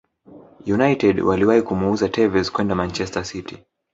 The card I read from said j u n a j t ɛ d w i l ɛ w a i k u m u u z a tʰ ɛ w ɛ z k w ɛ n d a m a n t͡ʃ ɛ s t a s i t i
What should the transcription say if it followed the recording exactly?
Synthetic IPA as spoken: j u n a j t ɛ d w a l i w a i k u m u u z a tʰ ɛ v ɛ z k w ɛ n d a m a n t͡ʃ ɛ s t a s i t i